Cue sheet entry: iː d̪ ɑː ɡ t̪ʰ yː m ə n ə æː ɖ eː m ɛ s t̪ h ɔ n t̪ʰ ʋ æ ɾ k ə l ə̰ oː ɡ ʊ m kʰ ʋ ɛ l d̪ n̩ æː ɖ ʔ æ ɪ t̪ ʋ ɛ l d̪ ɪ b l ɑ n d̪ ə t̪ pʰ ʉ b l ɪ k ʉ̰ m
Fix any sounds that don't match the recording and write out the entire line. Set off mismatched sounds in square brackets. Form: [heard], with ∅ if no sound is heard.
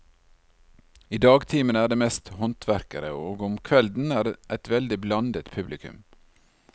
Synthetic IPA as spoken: iː d̪ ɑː ɡ t̪ʰ [iː] m ə n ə æː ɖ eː m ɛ s t̪ h ɔ n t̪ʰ ʋ æ ɾ k ə [ɾ] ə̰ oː ɡ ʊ m kʰ ʋ ɛ l d̪ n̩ æː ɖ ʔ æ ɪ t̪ ʋ ɛ l d̪ ɪ b l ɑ n d̪ ə t̪ pʰ ʉ b l ɪ k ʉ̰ m